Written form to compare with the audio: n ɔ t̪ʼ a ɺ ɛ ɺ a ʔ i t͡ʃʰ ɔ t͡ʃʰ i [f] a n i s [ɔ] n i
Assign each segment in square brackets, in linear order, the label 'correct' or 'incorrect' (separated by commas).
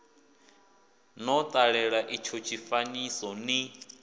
correct, correct